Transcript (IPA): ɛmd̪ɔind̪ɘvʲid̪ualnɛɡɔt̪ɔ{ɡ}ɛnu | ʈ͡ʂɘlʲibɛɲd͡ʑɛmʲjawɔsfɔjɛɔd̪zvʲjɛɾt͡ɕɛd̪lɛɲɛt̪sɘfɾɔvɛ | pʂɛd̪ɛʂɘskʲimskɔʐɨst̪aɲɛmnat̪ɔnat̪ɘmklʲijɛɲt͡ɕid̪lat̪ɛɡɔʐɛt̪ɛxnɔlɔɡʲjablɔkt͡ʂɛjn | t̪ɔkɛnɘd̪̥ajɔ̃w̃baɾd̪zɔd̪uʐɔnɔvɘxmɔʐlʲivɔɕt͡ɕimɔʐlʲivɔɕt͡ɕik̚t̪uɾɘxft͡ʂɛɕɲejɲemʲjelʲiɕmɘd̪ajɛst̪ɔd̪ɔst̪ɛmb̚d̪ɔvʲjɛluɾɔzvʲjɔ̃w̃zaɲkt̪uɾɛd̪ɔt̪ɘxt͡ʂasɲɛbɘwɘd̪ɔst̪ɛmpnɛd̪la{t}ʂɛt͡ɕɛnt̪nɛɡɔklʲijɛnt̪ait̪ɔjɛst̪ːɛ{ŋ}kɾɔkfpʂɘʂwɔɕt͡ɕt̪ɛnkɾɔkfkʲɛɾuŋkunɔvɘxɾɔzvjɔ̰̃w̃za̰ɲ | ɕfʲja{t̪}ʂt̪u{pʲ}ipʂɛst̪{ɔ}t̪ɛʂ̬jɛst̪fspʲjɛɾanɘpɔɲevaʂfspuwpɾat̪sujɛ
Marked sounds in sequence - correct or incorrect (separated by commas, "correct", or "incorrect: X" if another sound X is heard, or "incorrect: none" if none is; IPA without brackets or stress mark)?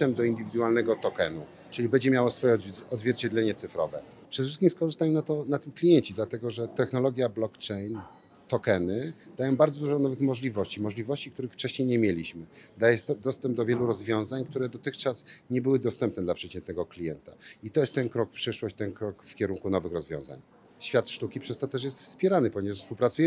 incorrect: k, incorrect: p, incorrect: n, correct, incorrect: kʲ, correct